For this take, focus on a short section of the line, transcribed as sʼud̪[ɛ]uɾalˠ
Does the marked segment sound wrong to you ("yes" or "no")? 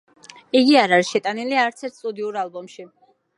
yes